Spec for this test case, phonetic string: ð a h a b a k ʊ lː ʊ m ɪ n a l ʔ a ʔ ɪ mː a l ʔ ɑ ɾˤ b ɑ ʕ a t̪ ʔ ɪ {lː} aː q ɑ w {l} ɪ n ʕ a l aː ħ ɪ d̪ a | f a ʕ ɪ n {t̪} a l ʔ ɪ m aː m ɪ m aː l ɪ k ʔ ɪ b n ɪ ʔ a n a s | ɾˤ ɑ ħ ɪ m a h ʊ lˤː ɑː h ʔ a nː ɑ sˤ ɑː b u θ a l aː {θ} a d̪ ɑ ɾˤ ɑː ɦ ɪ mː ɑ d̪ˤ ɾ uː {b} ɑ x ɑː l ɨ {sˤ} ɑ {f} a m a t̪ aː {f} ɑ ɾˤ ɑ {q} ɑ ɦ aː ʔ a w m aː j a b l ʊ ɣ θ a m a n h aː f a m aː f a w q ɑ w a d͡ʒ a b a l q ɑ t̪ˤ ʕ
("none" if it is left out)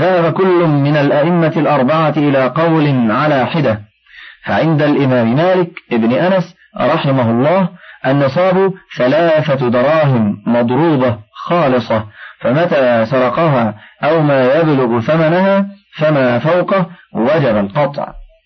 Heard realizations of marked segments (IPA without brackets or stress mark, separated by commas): l, l, d̪, θ, b, sˤ, f, s, q